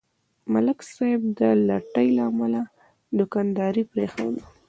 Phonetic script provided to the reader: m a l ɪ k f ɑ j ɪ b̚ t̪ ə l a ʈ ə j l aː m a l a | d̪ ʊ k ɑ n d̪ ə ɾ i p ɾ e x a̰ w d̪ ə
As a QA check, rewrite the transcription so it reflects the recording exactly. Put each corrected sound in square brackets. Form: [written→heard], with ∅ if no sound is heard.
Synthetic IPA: m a l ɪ k [f→s] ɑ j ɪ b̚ [t̪→d̪] ə l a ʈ ə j l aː m a l a | d̪ ʊ k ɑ n d̪ [ə→ɑ] ɾ i p ɾ e x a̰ w d̪ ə